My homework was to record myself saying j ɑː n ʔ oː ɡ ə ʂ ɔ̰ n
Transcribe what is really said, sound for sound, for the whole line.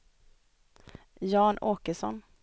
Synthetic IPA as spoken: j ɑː n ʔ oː k ə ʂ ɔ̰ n